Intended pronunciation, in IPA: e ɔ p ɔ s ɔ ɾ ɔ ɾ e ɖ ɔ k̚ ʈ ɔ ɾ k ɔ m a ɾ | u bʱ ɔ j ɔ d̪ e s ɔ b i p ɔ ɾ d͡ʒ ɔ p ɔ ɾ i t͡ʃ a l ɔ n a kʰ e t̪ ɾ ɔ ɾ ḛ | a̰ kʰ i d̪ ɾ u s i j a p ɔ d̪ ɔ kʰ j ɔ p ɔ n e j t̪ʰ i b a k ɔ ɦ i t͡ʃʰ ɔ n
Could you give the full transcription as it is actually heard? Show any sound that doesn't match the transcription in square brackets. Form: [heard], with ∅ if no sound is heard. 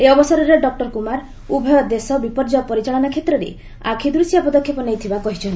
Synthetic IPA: e ɔ [b] ɔ s ɔ ɾ ɔ ɾ e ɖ ɔ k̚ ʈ ɔ ɾ k [u] m a ɾ | u bʱ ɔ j ɔ d̪ e s ɔ b i p ɔ ɾ d͡ʒ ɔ p ɔ ɾ i t͡ʃ a [ɭ] ɔ n a kʰ e t̪ ɾ ɔ ɾ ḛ | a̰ kʰ i d̪ ɾ u s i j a p ɔ d̪ ɔ kʰ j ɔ p ɔ n e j t̪ʰ i b a k ɔ ɦ i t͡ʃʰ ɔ n